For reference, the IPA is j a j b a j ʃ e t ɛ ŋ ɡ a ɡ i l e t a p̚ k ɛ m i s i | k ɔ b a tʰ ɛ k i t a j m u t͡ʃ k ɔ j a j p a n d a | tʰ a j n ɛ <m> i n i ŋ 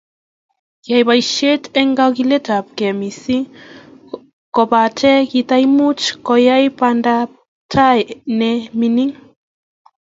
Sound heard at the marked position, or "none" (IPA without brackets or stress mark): m